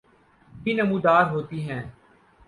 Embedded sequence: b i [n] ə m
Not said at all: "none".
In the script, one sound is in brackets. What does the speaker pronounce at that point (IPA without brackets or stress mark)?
n